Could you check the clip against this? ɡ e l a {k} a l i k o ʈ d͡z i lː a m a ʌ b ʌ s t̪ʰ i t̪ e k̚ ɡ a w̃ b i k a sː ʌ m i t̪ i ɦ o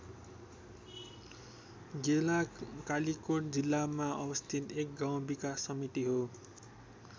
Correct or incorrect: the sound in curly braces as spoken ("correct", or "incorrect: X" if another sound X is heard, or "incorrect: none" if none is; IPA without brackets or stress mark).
correct